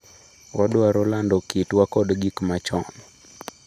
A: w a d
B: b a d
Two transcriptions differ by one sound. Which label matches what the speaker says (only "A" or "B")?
A